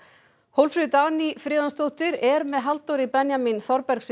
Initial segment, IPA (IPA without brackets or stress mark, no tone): h